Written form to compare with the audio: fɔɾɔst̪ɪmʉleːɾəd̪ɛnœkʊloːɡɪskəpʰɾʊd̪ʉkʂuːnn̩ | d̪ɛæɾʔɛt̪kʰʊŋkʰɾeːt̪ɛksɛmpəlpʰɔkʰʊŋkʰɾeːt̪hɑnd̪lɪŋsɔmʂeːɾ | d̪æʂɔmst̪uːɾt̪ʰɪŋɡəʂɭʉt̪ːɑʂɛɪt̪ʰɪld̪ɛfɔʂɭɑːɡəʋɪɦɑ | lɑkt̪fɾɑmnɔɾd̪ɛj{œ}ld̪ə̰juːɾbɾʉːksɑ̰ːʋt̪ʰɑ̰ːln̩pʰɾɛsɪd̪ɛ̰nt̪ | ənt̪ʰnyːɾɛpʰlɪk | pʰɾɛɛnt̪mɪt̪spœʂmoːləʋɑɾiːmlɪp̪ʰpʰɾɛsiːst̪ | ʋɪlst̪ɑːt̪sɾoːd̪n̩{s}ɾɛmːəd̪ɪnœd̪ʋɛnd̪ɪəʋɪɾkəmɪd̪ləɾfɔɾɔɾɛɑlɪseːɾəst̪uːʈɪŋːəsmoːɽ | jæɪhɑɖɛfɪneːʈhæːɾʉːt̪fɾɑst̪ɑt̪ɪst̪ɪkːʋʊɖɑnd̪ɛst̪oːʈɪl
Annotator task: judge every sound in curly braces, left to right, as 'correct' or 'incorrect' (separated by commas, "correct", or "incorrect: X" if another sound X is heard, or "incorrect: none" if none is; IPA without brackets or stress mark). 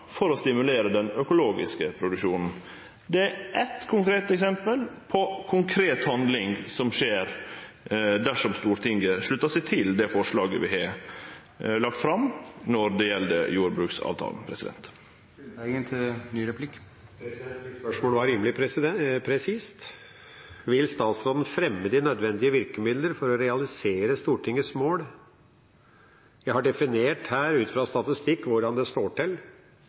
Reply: incorrect: ɛ, incorrect: f